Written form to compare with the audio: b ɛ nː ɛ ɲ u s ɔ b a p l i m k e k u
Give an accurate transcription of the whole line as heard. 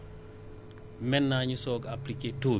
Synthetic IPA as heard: m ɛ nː a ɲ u s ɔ ɡ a p l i k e t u